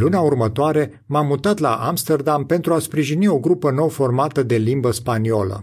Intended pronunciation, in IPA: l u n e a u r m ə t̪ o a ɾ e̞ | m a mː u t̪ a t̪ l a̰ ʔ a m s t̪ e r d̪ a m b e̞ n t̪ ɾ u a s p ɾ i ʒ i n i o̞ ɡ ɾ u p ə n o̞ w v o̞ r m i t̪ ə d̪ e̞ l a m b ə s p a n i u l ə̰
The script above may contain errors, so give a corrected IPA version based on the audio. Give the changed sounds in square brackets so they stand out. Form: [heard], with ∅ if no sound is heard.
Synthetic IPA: l u n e a u r m ə t̪ o a ɾ e̞ | m a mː u t̪ a t̪ l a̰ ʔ a m s t̪ e r d̪ a m [p] e̞ n t̪ ɾ u a s p ɾ i ʒ i n i o̞ ɡ ɾ u p ə n o̞ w [f] o̞ r m [a] t̪ ə d̪ e̞ l [i] m b ə s p a n i [o] l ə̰